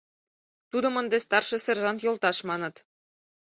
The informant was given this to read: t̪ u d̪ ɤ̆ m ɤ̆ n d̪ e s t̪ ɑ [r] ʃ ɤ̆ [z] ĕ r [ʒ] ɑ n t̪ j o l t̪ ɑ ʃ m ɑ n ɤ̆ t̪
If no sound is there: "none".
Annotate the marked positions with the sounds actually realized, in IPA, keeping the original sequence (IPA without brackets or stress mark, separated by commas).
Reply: r, s, ʒ